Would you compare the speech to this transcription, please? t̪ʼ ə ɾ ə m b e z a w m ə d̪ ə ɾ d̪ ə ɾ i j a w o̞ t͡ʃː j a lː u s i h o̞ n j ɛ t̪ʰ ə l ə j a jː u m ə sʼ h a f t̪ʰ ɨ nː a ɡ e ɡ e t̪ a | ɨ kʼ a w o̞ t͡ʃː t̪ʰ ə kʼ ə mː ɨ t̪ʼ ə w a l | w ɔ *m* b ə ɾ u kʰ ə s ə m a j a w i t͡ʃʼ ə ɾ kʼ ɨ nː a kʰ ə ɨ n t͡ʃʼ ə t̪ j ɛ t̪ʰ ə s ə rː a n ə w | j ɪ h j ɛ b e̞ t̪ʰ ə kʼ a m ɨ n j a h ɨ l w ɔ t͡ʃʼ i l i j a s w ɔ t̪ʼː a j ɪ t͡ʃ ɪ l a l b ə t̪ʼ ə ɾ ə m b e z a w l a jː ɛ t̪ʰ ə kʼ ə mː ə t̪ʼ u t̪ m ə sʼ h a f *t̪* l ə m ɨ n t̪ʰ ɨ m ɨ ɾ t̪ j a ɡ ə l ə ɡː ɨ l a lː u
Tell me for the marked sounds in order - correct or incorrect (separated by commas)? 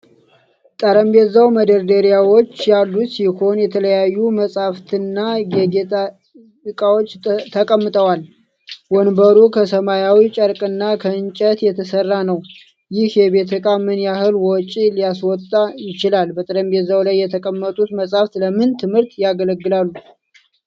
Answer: incorrect, correct